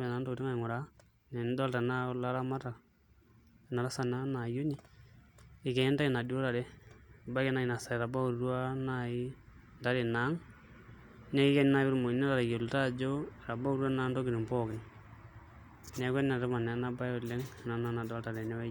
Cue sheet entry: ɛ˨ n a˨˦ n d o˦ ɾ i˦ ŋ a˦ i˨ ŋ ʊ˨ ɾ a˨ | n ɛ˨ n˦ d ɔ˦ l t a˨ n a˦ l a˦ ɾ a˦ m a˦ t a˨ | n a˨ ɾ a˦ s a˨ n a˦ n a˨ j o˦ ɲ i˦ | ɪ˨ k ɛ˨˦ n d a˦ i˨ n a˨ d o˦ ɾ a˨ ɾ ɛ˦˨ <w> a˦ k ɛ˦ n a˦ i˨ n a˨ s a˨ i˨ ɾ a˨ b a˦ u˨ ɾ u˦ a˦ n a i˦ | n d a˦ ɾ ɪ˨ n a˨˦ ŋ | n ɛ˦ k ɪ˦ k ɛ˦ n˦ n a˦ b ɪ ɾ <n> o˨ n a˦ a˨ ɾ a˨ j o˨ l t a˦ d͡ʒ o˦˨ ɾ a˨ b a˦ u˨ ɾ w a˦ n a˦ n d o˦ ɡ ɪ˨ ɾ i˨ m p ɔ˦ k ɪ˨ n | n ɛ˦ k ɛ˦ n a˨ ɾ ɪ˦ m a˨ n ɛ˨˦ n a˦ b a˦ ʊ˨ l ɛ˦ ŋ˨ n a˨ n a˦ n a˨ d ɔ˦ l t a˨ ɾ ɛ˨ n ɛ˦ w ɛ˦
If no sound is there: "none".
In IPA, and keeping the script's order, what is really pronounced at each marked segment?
b, m

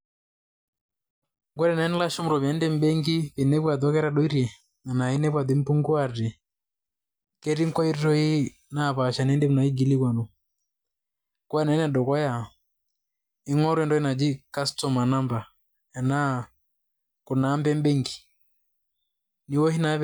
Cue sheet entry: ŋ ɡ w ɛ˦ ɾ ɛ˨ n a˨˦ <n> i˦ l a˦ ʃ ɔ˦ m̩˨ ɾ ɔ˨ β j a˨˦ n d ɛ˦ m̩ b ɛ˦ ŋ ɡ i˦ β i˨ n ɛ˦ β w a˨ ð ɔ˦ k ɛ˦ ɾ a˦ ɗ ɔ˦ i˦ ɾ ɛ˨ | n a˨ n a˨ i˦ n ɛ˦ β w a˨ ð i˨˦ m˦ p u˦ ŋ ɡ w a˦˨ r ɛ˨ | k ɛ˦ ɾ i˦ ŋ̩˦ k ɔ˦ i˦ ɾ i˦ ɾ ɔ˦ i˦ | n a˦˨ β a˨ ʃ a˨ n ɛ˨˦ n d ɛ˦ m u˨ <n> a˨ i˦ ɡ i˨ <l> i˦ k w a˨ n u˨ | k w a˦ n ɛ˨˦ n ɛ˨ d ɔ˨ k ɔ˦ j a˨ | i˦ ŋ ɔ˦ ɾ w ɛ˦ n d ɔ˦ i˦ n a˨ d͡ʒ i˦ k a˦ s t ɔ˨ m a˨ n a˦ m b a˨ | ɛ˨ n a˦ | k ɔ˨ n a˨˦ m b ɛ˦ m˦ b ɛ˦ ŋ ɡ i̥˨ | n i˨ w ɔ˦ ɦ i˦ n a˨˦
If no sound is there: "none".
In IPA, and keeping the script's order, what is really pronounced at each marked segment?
n, n, l

